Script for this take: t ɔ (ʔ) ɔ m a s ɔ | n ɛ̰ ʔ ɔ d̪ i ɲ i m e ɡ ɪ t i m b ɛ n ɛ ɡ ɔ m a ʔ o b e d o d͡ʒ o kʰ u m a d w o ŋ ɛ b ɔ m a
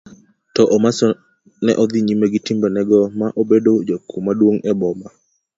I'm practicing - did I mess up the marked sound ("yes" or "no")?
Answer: no